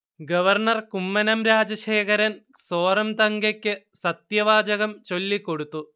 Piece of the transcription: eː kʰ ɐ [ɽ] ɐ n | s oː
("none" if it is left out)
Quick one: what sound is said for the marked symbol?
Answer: ɾ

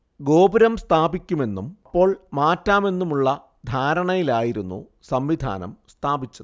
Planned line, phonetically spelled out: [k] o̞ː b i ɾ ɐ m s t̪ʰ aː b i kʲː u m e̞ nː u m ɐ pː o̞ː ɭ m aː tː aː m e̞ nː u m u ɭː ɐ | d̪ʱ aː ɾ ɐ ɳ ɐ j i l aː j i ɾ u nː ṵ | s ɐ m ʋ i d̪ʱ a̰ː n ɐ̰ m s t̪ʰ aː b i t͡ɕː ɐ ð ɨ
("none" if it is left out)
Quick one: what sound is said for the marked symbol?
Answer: ɡ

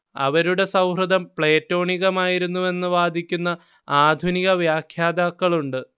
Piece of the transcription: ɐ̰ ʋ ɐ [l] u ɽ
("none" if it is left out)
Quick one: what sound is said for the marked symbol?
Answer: ɾ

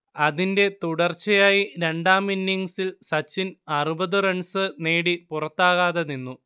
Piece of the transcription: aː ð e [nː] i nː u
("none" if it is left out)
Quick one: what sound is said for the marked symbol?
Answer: n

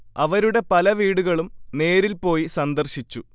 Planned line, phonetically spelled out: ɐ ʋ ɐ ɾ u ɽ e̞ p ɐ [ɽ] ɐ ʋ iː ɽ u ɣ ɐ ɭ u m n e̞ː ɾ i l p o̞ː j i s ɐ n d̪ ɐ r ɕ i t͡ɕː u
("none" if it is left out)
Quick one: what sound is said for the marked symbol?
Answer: l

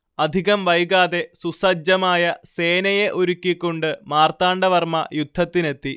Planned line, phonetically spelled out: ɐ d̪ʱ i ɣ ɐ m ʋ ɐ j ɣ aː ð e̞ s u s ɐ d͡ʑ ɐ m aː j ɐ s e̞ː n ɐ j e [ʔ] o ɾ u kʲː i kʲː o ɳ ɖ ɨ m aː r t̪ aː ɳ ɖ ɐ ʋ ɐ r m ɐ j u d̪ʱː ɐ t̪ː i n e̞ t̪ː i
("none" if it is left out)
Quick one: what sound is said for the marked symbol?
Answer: ʔ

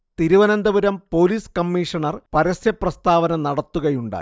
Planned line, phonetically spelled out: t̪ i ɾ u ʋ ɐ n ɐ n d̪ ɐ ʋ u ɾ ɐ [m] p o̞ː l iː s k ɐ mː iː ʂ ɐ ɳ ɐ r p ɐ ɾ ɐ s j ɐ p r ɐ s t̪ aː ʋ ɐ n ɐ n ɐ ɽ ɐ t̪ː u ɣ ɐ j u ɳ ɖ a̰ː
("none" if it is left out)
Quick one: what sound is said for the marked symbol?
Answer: m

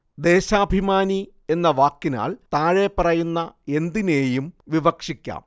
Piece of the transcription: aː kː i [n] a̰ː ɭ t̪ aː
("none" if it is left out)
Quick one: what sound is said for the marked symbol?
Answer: n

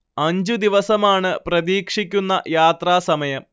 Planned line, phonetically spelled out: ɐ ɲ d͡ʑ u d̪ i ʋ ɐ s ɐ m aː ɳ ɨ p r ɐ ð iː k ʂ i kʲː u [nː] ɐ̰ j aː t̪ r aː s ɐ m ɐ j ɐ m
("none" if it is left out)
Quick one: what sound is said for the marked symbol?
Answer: nː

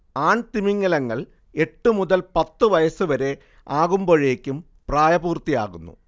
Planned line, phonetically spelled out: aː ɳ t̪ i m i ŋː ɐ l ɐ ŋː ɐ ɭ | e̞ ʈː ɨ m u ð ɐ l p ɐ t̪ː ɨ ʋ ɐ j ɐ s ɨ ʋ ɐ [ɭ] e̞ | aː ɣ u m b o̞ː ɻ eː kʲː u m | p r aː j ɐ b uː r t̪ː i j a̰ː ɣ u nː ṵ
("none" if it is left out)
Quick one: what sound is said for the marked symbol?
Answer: ɾ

